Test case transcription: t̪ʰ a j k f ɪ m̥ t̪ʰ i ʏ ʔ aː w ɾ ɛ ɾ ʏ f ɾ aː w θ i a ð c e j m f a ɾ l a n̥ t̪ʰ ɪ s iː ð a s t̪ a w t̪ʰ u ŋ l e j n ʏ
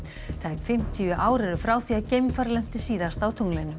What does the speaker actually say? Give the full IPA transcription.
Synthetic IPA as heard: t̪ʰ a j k f ɪ m̥ t̪ʰ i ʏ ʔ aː w ɾ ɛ ɾ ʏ f ɾ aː w θ i a ð c e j m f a ɾ l ɛ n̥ t̪ ɪ s iː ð a s t̪ a w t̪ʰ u ŋ l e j n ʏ

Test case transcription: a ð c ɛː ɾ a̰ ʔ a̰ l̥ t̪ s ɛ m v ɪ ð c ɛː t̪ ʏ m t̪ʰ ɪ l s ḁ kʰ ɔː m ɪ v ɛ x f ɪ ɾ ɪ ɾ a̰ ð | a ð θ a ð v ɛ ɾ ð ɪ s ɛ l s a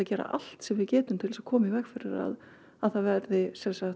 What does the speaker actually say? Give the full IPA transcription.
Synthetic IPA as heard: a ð c ɛː ɾ a̰ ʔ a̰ l̥ t̪ s ɛ m v ɪ ð c ɛː t̪ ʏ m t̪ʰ ɪ l s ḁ kʰ ɔː m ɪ v ɛ x f ɪ ɾ ɪ ɾ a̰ ð | a ð θ a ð v ɛ ɾ ð ɪ s ɛ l s a

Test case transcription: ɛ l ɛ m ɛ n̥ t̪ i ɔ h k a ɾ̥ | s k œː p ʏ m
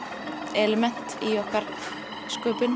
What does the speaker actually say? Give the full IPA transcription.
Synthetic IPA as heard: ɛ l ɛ m ɛ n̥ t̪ i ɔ h k a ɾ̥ | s k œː p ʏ n

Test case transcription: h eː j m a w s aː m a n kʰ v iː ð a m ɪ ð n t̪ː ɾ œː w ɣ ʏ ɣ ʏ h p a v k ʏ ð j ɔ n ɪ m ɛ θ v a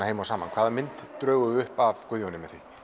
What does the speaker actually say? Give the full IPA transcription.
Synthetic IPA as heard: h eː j m a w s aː m a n kʰ v aː ð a m ɪ n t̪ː ɾ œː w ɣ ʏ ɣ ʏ h p a v k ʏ ð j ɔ n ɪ m ɛ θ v i

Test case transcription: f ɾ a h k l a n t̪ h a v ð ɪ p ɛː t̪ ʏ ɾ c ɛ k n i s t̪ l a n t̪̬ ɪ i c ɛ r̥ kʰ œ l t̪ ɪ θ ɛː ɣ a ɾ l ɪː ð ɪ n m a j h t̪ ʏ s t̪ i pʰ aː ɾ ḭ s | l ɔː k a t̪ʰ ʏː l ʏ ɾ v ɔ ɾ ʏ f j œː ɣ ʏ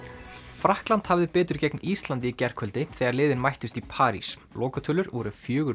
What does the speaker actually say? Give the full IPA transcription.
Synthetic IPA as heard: f ɾ a h k l a n t̪ h a v ð ɪ p ɛː t̪ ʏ ɾ c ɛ k n i s t̪ l a n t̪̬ ɪ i c ɛ r̥ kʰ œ l t̪ ɪ θ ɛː ɣ a ɾ l ɪː ð ɪ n m a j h t̪ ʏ s t̪ i pʰ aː ɾ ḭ s | l ɔː k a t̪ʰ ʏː l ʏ ɾ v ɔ ɾ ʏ f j œː ɣ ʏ

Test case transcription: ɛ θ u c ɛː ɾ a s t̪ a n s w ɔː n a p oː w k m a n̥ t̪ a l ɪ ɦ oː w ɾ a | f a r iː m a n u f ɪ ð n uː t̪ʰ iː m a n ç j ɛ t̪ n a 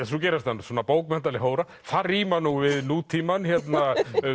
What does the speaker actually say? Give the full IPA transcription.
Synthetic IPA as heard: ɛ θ u c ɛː ɾ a s t̪ a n s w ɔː n a p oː w k m ɛ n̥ t̪ a l ɪ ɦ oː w ɾ a | f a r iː m a n u v ɪ ð n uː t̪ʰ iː m a n ç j ɛ t̪ n a

